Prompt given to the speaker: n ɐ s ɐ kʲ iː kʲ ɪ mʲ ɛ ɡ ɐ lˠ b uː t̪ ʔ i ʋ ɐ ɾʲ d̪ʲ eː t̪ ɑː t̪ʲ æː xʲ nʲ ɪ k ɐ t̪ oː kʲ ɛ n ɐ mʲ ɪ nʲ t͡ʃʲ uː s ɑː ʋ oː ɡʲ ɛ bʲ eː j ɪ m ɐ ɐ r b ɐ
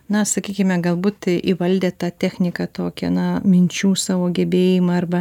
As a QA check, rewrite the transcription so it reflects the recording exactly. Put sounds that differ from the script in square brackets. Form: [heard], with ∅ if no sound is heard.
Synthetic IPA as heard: n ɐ s ɐ kʲ iː kʲ ɪ mʲ ɛ ɡ ɐ lˠ b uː t̪ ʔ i ʋ ɐ [lʲ] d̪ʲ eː t̪ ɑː t̪ʲ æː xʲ nʲ ɪ k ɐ t̪ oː kʲ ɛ n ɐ mʲ ɪ nʲ t͡ʃʲ uː s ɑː ʋ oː ɡʲ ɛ bʲ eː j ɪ m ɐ ɐ r b ɐ